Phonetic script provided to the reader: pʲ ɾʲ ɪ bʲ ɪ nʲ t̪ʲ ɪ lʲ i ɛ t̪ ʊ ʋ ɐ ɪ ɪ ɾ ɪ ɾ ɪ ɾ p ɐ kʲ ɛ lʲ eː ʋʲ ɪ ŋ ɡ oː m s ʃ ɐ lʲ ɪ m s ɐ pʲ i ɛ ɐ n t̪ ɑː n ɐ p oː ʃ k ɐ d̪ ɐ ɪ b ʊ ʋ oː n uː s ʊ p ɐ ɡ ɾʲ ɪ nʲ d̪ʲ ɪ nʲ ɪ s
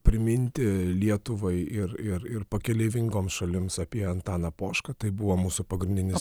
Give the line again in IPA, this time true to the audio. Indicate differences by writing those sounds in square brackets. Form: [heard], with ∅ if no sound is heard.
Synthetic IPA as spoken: pʲ ɾʲ ɪ [mʲ] ɪ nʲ t̪ʲ ɪ lʲ i ɛ t̪ ʊ ʋ ɐ ɪ ɪ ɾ ɪ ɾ ɪ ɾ p ɐ kʲ ɛ lʲ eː ʋʲ ɪ ŋ ɡ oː m s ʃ ɐ lʲ ɪ m s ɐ pʲ i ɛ ɐ n t̪ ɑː n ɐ p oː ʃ k ɐ [t̪] ɐ ɪ b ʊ ʋ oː [m] uː s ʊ p ɐ ɡ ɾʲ ɪ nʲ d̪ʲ ɪ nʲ ɪ s